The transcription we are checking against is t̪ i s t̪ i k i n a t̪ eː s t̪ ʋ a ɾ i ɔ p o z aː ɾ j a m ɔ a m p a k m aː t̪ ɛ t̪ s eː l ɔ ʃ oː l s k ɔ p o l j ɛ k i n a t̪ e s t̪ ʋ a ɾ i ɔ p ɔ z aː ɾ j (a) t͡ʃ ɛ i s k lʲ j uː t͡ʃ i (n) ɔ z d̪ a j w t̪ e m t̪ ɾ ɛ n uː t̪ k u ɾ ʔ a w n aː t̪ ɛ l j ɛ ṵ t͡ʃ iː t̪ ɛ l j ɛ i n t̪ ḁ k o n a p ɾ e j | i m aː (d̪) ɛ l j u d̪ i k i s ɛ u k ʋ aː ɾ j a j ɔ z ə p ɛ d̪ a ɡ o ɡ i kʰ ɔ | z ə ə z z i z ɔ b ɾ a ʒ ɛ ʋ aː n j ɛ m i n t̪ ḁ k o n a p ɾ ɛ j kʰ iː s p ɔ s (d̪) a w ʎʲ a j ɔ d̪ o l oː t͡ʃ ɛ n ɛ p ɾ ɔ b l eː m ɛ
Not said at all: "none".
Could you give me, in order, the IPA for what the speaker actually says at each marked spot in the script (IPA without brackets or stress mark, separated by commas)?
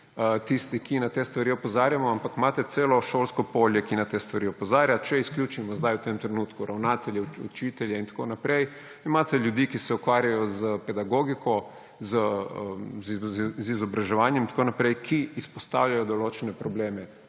a, m, t̪, t̪